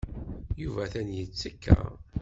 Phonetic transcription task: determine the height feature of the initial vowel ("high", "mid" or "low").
high